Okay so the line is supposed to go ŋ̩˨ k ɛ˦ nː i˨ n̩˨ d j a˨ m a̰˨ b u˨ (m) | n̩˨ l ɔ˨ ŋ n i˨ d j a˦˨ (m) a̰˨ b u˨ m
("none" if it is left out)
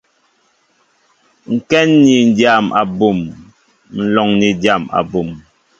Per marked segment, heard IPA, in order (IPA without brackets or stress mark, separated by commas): m, m